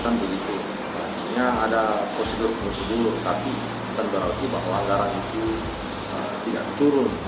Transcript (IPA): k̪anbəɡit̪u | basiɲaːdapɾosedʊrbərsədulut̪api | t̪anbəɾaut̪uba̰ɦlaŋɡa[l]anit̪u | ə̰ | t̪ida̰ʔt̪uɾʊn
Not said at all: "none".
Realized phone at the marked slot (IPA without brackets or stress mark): ɾ